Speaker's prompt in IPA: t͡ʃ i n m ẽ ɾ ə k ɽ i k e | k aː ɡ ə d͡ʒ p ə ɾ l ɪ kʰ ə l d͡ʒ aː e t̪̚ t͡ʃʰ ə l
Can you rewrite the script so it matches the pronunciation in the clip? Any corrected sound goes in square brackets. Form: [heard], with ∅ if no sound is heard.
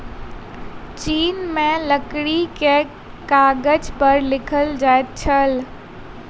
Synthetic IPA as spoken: t͡ʃ [iː] n m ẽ [l] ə k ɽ i k e | k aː ɡ ə d͡ʒ p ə ɾ l ɪ kʰ ə l d͡ʒ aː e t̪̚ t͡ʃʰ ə l